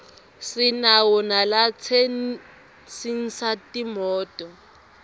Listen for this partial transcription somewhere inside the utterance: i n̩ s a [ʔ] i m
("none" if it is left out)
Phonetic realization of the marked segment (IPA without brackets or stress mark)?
t